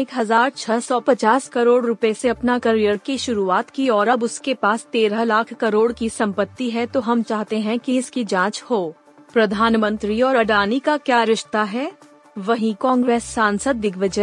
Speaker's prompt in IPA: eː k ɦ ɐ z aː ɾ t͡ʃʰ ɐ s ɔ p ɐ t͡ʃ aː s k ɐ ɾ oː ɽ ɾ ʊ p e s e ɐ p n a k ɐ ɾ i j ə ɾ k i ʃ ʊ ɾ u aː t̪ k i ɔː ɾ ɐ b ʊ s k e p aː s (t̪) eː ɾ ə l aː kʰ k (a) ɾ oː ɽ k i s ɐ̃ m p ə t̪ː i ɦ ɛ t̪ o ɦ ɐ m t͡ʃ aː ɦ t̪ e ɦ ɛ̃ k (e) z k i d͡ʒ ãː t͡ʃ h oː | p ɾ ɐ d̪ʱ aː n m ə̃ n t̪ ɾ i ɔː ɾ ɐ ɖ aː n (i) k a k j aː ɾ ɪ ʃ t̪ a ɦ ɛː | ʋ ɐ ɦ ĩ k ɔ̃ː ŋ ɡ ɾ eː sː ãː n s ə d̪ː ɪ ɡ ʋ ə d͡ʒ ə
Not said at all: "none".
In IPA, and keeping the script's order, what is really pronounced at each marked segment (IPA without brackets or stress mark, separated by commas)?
t̪, ɐ, i, i